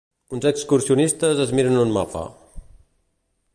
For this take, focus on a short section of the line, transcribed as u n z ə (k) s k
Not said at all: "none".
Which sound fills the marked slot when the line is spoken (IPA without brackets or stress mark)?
k